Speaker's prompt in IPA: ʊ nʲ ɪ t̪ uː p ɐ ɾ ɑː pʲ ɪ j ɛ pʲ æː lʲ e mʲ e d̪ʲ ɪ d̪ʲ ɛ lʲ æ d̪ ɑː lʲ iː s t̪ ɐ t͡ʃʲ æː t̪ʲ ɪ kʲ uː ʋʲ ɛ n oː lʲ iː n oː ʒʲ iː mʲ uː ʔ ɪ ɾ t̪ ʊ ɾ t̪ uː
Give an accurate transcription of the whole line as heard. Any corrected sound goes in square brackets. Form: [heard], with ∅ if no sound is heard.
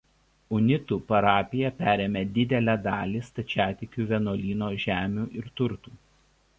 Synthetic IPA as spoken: ʊ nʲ ɪ t̪ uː p ɐ ɾ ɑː pʲ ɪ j ɛ pʲ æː [ɾʲ] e mʲ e d̪ʲ ɪ d̪ʲ ɛ lʲ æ d̪ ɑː lʲ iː s t̪ ɐ t͡ʃʲ æː t̪ʲ ɪ kʲ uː ʋʲ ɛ n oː lʲ iː n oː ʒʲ [æː] mʲ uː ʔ ɪ ɾ t̪ ʊ ɾ t̪ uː